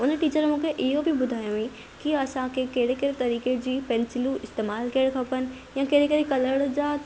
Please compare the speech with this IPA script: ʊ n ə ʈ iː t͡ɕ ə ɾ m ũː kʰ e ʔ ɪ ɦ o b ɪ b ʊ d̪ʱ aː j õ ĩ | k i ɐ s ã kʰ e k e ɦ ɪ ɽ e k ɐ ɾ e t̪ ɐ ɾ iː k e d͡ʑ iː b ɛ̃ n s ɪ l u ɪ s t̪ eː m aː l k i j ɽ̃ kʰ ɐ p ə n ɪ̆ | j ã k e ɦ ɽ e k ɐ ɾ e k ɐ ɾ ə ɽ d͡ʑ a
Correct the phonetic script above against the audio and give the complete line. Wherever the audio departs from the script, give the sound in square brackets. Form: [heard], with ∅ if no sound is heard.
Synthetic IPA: ʊ n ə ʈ iː t͡ɕ ə ɾ m ũː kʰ e ʔ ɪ ɦ o b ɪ b ʊ d̪ʱ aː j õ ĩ | k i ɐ s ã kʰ e k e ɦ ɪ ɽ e k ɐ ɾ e t̪ ɐ ɾ iː k e d͡ʑ iː [p] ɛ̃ n s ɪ l u ɪ s t̪ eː m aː l k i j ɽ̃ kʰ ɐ p ə n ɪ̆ | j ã k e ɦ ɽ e k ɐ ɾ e k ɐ [l] ə ɽ d͡ʑ a